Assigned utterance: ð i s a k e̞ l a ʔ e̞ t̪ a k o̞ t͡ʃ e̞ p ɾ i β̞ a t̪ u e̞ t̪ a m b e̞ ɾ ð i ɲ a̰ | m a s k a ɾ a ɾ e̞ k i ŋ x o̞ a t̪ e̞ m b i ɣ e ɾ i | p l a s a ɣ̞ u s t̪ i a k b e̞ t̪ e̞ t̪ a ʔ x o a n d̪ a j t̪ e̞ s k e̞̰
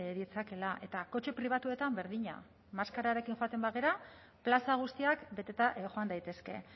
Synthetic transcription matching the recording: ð i t͡s a k e̞ l a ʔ e̞ t̪ a k o̞ t͡ʃ e̞ p ɾ i β̞ a t̪ u e̞ t̪ a m b e̞ ɾ ð i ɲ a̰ | m a s k a ɾ a ɾ e̞ k i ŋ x o̞ a t̪ e̞ m b a ɣ e ɾ a | p l a s a ɣ̞ u s t̪ i a k b e̞ t̪ e̞ t̪ a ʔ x o a n d̪ a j t̪ e̞ s k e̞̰